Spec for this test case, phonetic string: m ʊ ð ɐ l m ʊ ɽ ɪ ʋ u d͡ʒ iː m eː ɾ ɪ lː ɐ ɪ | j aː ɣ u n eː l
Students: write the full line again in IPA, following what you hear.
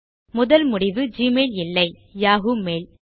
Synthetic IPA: m ʊ ð ɐ l m ʊ ɽ ɪ ʋ ɯ d͡ʒ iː m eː l ɪ lː ɐ ɪ | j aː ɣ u m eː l